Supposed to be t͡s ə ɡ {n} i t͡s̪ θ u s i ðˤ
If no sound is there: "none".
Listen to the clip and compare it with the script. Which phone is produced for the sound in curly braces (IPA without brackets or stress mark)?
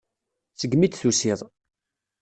m